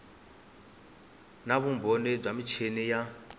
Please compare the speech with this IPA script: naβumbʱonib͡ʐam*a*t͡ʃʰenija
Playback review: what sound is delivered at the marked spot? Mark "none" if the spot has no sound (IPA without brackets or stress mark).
i